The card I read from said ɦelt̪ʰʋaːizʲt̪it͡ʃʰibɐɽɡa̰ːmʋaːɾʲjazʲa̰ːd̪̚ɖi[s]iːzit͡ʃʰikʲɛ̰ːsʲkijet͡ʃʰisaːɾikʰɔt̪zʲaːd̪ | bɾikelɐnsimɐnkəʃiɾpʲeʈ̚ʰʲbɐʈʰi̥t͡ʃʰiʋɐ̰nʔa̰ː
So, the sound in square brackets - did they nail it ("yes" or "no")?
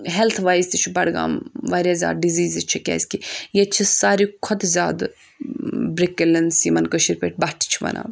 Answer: no